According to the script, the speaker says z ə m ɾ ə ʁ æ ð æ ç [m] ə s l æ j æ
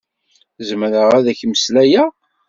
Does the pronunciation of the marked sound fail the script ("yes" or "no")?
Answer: no